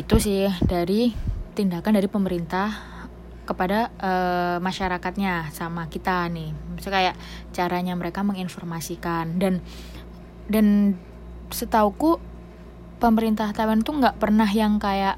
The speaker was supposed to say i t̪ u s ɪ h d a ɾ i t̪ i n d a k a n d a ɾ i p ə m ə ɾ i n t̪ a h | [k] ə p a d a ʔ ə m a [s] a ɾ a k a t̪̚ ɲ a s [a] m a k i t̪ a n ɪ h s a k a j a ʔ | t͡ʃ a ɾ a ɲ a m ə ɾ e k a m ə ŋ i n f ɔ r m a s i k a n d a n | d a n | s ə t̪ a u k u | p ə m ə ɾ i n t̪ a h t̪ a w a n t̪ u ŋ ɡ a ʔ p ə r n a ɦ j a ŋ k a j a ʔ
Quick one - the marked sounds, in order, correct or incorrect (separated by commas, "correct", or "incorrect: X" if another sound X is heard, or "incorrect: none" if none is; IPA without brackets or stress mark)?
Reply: correct, incorrect: ʃ, correct